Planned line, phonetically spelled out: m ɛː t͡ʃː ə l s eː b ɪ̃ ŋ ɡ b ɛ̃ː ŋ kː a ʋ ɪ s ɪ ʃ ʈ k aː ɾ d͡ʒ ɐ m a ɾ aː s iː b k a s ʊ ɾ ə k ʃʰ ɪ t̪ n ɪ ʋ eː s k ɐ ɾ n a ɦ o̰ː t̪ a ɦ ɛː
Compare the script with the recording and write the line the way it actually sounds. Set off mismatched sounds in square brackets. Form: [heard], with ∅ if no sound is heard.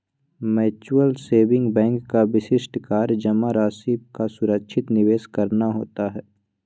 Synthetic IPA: m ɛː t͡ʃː ə l s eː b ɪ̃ ŋ ɡ b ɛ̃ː ŋ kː a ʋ ɪ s ɪ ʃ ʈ k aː ɾ d͡ʒ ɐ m a ɾ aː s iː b k a s ʊ ɾ ə k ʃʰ ɪ t̪ n ɪ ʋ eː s k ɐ ɾ n a ɦ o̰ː t̪ a ɦ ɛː